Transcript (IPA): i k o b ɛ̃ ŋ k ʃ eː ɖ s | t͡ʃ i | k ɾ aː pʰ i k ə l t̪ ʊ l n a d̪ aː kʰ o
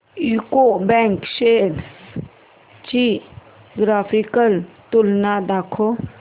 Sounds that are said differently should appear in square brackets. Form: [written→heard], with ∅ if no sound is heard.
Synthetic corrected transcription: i k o b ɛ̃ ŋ k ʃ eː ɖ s | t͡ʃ i | [k→ɡ] ɾ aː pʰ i k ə l t̪ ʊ l n a d̪ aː kʰ o